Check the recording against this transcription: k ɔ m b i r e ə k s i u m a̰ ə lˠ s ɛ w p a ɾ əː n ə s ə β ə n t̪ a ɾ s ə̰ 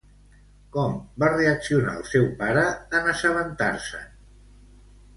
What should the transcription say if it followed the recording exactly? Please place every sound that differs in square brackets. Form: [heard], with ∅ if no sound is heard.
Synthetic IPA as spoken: k ɔ m b [a] r e ə k s i u [n] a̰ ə lˠ s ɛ w p a ɾ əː n ə s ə β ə n t̪ a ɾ s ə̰